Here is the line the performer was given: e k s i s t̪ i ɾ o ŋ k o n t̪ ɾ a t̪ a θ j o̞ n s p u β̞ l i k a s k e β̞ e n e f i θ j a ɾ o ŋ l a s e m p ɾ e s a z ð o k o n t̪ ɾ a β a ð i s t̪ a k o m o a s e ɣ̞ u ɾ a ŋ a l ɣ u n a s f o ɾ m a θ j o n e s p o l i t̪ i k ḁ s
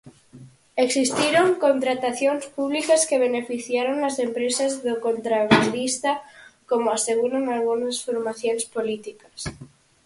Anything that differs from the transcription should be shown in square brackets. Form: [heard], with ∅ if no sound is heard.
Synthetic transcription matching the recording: e k s i s t̪ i ɾ o ŋ k o n t̪ ɾ a t̪ a θ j o̞ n s p u β̞ l i k a s k e β̞ e n e f i θ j a ɾ o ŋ l a s e m p ɾ e s a z ð o k o n t̪ ɾ a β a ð i s t̪ a k o m o a s e ɣ̞ u ɾ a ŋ a l ɣ u n a s f o ɾ m a θ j o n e s p o l i t̪ i k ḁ s